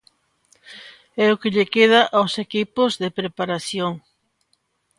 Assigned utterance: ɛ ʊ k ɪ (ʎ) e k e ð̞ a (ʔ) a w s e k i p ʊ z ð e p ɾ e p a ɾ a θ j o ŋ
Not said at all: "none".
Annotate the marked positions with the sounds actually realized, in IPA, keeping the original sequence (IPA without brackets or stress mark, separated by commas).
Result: ʎ, ʔ